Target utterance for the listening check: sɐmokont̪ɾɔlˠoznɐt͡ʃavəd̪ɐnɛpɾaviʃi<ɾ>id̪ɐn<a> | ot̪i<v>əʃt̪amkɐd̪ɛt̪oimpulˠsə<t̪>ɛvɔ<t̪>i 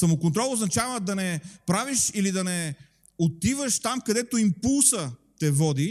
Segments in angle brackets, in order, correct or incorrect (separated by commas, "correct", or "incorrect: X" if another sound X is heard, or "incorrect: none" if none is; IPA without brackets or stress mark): incorrect: l, incorrect: ɛ, correct, correct, incorrect: d̪